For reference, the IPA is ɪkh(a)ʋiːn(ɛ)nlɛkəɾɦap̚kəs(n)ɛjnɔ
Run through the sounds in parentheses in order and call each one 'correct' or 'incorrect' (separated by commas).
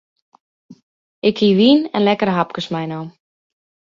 incorrect, correct, incorrect